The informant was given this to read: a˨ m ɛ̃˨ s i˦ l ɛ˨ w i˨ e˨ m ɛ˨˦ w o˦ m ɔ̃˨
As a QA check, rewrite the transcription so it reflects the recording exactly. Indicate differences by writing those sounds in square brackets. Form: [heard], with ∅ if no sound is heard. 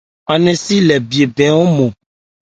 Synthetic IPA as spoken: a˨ [n] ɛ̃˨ s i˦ l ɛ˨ [b] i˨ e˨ [b] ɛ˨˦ w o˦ m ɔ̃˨